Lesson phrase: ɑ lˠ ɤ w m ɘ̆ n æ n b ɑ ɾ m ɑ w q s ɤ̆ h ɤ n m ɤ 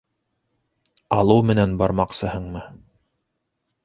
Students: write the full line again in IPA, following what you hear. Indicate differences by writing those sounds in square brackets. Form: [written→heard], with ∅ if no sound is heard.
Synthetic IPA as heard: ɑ lˠ ɤ w m ɘ̆ n æ n b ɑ ɾ m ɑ [w→∅] q s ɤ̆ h ɤ [n→ɴ] m ɤ

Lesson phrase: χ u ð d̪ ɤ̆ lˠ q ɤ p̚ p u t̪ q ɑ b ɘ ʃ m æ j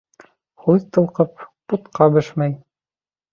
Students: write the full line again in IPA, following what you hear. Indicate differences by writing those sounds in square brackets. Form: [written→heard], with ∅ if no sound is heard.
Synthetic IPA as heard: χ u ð [d̪→t̪] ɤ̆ lˠ q ɤ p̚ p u t̪ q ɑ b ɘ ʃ m æ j

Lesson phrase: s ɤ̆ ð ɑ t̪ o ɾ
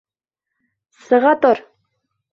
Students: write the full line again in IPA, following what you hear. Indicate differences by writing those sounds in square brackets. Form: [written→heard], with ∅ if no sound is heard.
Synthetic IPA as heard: s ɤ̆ [ð→ʁ] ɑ t̪ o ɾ

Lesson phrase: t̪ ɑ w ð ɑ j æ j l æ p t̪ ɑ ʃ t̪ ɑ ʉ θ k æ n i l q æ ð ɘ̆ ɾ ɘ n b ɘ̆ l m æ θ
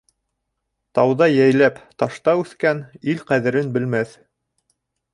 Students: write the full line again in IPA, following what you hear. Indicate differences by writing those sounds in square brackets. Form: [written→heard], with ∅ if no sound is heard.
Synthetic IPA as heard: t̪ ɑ w ð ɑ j æ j l æ p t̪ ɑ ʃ t̪ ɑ ʉ θ k æ n i l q æ ð ɘ̆ ɾ ɘ n b ɘ̆ l m æ θ

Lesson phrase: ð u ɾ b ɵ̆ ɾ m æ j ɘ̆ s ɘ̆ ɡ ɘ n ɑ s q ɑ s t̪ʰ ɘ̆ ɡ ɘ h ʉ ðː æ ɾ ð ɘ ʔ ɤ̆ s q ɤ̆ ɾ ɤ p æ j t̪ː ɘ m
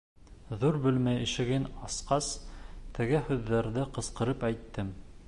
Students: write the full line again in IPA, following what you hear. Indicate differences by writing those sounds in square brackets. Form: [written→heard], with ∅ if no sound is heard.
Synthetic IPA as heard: ð u ɾ b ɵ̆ [ɾ→l] m æ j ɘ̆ [s→ʃ] ɘ̆ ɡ ɘ n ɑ s q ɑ s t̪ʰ ɘ̆ ɡ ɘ h ʉ ðː æ ɾ ð ɘ [ʔ→q] ɤ̆ s q ɤ̆ ɾ ɤ p æ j t̪ː ɘ m

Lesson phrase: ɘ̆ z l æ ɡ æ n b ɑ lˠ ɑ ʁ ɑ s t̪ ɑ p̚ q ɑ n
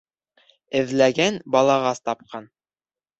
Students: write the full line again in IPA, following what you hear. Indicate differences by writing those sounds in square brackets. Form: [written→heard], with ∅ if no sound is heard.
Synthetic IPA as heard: ɘ̆ [z→ð] l æ ɡ æ n b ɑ lˠ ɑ ʁ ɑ s t̪ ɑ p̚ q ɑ n

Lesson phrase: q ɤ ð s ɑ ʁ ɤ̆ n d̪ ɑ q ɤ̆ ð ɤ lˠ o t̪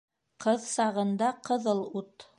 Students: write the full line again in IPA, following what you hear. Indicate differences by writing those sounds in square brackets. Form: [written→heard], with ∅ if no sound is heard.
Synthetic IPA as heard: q ɤ ð s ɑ ʁ ɤ̆ n d̪ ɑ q ɤ̆ ð ɤ lˠ [o→u] t̪

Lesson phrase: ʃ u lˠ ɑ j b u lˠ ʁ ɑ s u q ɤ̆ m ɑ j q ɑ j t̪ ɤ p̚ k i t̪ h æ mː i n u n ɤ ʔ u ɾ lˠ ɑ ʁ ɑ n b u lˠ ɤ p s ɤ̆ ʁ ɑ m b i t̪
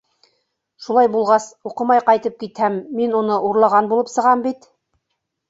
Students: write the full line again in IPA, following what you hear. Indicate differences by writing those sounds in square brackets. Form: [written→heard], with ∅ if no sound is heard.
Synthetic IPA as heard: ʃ u lˠ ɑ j b u lˠ ʁ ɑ s u q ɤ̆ m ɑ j q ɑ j t̪ ɤ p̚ k i t̪ h æ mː i n u n ɤ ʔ u ɾ lˠ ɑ ʁ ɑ n b u lˠ ɤ p s ɤ̆ ʁ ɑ m b i t̪

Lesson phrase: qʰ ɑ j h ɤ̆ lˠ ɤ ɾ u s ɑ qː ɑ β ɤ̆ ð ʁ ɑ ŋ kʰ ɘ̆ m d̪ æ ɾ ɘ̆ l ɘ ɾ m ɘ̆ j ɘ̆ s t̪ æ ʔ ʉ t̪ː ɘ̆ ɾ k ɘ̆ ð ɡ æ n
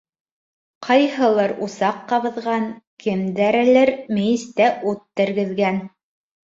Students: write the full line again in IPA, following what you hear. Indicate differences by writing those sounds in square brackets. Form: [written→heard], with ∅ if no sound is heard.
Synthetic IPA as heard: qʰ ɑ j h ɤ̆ lˠ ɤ ɾ u s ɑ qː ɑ β ɤ̆ ð ʁ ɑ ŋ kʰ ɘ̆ m d̪ æ ɾ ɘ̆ l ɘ ɾ m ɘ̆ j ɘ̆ s t̪ æ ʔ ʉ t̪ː ɘ̆ ɾ [k→ɡ] ɘ̆ ð ɡ æ n

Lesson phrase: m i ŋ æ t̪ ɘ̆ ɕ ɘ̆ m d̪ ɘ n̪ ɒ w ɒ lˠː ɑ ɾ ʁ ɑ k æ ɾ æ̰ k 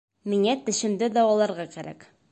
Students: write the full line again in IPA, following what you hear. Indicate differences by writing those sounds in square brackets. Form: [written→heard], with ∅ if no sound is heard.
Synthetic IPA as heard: m i ŋ æ t̪ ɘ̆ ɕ ɘ̆ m d̪ ɘ [n̪→d̪] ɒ w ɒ [lˠː→lˠ] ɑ ɾ ʁ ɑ k æ ɾ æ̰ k

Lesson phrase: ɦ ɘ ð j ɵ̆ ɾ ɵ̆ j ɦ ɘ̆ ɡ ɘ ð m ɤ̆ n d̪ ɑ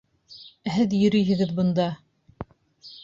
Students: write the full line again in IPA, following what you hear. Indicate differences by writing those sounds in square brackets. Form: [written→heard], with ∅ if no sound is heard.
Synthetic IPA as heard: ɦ ɘ ð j ɵ̆ ɾ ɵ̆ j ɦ ɘ̆ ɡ ɘ ð [m→b] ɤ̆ n d̪ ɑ

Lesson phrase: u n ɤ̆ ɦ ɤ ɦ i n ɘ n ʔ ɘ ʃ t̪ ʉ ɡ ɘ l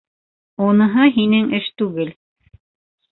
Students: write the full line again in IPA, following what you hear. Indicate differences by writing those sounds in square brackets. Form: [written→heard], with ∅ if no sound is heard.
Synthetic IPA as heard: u n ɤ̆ ɦ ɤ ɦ i n ɘ [n→ŋ] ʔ ɘ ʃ t̪ ʉ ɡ ɘ l

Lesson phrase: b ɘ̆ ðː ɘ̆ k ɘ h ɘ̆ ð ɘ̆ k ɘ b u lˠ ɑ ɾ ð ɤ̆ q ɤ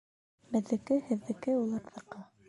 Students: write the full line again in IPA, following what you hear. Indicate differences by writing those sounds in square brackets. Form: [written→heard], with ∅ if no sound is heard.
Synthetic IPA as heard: b ɘ̆ ðː ɘ̆ k ɘ h ɘ̆ [ð→ðː] ɘ̆ k ɘ [b→∅] u lˠ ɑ ɾ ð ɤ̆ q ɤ

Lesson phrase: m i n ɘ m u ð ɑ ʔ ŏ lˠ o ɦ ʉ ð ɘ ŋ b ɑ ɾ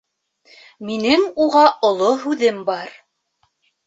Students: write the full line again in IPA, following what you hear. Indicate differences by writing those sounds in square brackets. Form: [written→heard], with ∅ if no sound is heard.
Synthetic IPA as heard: m i n ɘ [m→ŋ] u [ð→ʁ] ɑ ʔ ŏ lˠ o ɦ ʉ ð ɘ [ŋ→m] b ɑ ɾ

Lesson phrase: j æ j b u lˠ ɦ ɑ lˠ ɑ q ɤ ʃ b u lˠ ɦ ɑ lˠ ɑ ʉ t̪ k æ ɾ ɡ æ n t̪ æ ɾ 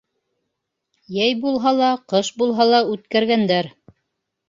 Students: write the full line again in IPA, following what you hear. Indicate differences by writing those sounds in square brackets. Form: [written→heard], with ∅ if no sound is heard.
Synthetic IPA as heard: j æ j b u lˠ ɦ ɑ lˠ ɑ q ɤ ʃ b u lˠ ɦ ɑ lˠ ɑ ʉ t̪ k æ ɾ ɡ æ n [t̪→d̪] æ ɾ

